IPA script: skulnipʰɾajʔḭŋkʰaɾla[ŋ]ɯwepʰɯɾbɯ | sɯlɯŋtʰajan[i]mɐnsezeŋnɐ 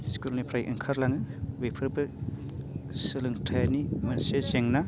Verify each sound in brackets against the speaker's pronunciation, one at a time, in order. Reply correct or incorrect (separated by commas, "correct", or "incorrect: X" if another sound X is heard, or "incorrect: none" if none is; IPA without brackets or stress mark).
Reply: correct, correct